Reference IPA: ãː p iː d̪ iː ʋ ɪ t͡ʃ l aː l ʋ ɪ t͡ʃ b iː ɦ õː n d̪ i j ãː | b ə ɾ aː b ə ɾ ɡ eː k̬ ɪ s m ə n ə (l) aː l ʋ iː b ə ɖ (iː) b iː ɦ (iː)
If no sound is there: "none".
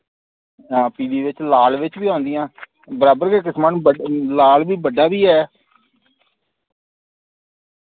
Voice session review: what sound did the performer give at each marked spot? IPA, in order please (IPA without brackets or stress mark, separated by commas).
l, aː, ɛː